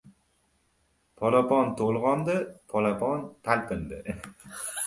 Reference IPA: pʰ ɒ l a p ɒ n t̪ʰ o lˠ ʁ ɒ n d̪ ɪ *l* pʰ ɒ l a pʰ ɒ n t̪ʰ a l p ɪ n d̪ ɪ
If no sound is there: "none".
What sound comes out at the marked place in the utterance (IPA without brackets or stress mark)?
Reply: none